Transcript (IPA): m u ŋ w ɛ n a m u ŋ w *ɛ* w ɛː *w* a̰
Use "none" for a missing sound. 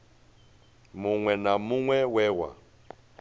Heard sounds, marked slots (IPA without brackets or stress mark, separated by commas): ɛ, w